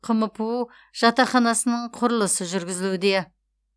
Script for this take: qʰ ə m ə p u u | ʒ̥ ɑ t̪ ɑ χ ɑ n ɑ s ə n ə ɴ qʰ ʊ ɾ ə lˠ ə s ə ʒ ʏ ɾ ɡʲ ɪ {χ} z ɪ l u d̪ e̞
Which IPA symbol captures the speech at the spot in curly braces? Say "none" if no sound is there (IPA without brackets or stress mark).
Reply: none